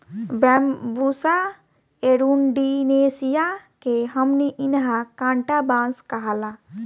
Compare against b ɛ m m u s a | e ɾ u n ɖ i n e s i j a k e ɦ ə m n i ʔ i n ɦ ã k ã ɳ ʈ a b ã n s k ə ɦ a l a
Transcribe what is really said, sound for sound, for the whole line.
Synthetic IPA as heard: b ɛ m b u s a | e ɾ u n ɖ i n e s i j a k e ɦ ə m n i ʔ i n ɦ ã k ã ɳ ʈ a b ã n s k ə ɦ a l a